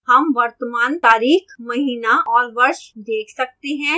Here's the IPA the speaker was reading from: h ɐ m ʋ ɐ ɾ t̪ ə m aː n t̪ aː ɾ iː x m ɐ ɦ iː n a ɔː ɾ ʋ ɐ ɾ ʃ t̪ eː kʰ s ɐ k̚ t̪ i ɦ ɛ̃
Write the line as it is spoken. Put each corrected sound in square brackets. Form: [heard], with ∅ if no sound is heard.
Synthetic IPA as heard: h ɐ m ʋ ɐ ɾ t̪ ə m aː n t̪ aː ɾ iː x m ɐ ɦ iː n a ɔː ɾ ʋ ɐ ɾ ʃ [d̪] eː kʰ s ɐ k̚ t̪ [e] ɦ ɛ̃